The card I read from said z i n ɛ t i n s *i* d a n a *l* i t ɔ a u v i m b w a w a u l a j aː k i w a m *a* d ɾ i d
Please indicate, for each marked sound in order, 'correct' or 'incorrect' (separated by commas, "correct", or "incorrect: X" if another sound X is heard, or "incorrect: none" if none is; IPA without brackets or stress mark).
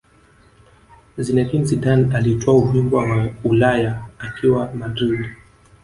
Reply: correct, correct, correct